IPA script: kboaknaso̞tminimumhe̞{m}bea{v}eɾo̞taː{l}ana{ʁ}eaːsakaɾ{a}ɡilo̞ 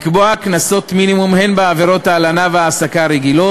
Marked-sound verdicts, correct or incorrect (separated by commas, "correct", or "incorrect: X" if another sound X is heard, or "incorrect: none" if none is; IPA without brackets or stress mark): incorrect: n, correct, correct, incorrect: v, incorrect: e